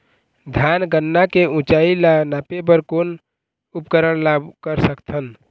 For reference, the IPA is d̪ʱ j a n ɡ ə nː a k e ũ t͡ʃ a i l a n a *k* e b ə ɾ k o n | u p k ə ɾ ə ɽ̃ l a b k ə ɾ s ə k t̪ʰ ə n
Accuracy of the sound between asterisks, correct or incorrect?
incorrect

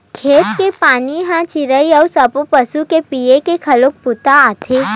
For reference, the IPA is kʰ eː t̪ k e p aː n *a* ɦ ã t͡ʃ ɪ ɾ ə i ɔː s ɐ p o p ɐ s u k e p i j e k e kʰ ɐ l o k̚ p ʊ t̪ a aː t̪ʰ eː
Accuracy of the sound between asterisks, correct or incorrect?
incorrect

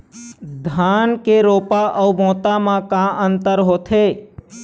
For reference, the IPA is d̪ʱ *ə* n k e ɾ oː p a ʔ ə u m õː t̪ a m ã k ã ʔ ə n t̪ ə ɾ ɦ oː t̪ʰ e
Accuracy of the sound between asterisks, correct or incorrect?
incorrect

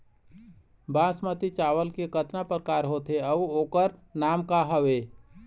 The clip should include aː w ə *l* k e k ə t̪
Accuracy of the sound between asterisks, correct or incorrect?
correct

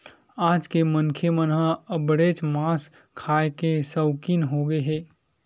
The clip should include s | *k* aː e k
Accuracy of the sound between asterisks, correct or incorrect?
incorrect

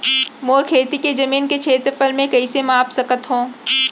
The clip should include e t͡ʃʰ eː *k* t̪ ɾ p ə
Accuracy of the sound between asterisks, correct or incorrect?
incorrect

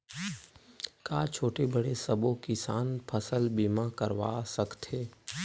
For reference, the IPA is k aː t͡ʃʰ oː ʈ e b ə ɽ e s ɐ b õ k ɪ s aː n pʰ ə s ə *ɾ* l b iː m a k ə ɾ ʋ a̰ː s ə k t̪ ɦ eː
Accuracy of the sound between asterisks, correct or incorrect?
incorrect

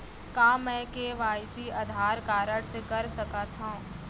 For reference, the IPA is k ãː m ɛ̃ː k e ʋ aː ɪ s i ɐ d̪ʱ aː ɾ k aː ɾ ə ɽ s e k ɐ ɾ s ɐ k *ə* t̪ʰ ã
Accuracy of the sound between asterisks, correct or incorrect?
incorrect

